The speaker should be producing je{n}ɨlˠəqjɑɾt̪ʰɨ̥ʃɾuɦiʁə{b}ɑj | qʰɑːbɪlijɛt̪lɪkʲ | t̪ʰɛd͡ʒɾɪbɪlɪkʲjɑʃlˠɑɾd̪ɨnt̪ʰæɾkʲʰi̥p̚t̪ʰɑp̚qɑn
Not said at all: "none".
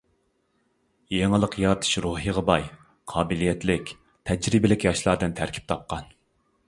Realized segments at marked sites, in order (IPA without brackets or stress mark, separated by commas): ŋ, b